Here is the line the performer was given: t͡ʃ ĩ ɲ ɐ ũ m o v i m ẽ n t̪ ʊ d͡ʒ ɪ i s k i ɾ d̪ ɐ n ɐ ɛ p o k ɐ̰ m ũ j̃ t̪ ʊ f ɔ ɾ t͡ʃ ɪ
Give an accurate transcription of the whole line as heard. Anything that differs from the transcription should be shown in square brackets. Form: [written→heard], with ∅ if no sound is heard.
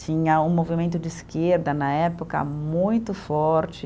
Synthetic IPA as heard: t͡ʃ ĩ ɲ ɐ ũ m o v i m ẽ n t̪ ʊ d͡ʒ ɪ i s k [i→e] ɾ d̪ ɐ n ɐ ɛ p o k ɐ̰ m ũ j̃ t̪ ʊ f ɔ ɾ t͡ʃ ɪ